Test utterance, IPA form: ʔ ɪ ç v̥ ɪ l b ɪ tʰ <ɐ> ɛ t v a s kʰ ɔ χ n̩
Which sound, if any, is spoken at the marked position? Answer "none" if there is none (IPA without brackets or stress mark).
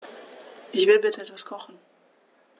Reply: ə